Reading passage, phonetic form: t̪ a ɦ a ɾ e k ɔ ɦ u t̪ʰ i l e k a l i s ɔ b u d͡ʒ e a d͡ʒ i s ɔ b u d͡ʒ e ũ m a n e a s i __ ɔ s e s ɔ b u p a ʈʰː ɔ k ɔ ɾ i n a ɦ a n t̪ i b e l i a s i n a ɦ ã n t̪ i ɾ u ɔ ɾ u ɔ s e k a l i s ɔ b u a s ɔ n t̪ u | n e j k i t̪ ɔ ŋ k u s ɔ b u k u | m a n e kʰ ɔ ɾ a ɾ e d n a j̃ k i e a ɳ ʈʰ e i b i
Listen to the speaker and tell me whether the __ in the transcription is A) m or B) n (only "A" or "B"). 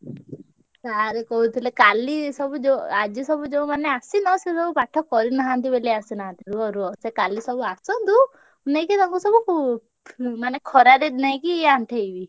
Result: B